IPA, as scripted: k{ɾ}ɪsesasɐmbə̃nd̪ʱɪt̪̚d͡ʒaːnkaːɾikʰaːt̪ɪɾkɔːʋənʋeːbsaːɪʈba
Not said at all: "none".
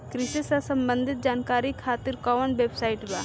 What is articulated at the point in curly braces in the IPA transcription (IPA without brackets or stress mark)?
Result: ɾ